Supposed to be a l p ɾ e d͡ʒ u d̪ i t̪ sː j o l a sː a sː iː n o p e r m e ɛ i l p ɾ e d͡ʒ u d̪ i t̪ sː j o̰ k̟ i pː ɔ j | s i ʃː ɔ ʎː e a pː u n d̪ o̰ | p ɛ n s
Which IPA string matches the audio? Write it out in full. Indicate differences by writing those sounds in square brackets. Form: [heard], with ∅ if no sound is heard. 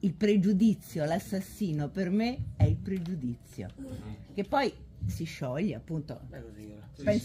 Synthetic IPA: [i] l p ɾ e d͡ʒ u d̪ i t̪ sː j o l a sː a sː iː n o p e r m e ɛ i l p ɾ e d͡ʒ u d̪ i t̪ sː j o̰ k̟ [e] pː ɔ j | s i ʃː ɔ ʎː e a pː u n [t̪] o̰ | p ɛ n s

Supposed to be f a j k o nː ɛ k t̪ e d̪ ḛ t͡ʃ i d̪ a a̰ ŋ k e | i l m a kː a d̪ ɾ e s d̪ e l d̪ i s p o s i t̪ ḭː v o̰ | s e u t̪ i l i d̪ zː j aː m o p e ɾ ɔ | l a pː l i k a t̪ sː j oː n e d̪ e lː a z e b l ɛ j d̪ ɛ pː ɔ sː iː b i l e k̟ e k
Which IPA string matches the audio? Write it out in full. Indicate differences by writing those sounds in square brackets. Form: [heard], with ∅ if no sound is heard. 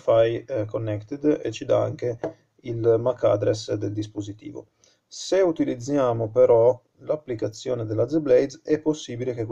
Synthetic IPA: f a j k o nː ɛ k t̪ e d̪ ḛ t͡ʃ i d̪ a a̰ ŋ k e | i l m a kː a d̪ ɾ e s d̪ e l d̪ i s p o [z] i t̪ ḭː v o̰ | s e u t̪ i l i d̪ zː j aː m o p e ɾ ɔ | l a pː l i k a t̪ sː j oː n e d̪ e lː a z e b l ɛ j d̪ ɛ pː [o] sː iː b i l e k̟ e k

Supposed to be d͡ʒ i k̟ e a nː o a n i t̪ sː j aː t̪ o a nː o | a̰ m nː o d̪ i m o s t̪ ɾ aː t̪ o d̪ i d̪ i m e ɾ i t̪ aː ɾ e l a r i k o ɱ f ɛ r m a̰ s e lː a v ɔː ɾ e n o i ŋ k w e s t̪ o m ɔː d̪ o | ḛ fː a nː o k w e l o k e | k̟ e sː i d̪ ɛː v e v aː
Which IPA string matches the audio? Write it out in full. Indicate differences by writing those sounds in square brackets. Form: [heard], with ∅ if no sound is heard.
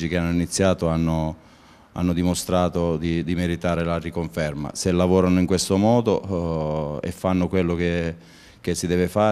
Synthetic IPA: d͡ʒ i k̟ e a nː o [i] n i t̪ sː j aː t̪ o a nː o | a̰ [∅] nː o d̪ i m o s t̪ ɾ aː t̪ o d̪ i d̪ i m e ɾ i t̪ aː ɾ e l a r i k o ɱ f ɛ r m a̰ s e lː a v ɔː ɾ [a] n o i ŋ k w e s t̪ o m ɔː d̪ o | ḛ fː a nː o k w e [lː] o k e | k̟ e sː i d̪ ɛː v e [f] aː

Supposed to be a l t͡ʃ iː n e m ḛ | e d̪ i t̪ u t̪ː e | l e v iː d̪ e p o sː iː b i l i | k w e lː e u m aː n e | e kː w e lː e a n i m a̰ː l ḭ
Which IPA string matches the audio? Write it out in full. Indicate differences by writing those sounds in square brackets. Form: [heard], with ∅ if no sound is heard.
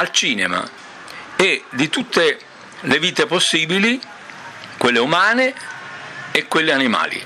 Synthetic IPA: a l t͡ʃ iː n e m [a̰] | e d̪ i t̪ u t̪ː e | l e v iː [t̪] e p o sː iː b i l i | k w e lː e u m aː n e | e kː w e lː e a n i m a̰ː l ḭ

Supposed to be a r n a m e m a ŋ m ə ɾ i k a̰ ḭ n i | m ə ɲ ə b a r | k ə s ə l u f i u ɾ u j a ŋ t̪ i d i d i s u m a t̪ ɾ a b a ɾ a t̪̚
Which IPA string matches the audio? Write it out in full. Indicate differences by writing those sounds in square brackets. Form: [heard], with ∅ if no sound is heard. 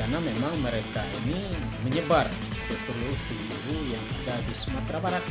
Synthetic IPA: a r n a m e m a ŋ m ə ɾ [e] k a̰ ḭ n i | m ə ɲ ə b a r | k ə s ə l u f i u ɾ u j a ŋ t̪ i d [a] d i s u m a t̪ ɾ a b a ɾ a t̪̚

